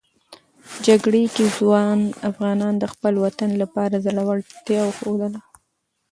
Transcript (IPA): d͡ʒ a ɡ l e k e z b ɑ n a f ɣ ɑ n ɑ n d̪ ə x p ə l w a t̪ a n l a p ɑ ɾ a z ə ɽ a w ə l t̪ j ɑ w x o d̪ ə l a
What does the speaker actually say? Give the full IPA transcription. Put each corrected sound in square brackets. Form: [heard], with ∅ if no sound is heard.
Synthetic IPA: d͡ʒ a ɡ [ɽ] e k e z [w] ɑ n a f ɣ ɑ n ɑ n d̪ ə x p ə l w a t̪ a n l a p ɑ ɾ a z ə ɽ a w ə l t̪ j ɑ w x o d̪ ə l a